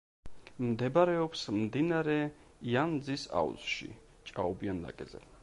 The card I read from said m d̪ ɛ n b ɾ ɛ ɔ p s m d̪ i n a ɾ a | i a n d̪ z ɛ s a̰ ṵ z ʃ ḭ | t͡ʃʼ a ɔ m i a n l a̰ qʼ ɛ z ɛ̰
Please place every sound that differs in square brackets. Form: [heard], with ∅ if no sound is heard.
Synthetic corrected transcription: m d̪ ɛ [∅] b ɾ ɛ ɔ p s m d̪ i n a ɾ [ɛ] | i a n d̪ z [i] s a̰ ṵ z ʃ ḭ | t͡ʃʼ a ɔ [b] i a n l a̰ [kʼ] ɛ z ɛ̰